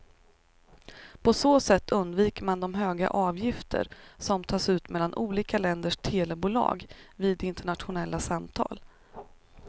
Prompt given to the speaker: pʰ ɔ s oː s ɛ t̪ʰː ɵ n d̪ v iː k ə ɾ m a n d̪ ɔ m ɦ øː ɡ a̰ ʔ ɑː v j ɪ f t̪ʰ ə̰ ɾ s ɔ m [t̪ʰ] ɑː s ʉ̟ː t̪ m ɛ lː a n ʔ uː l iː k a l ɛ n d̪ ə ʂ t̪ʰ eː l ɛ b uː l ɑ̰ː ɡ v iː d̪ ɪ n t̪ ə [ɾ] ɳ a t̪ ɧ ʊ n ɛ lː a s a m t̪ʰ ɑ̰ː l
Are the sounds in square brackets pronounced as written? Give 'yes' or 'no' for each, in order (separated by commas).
yes, no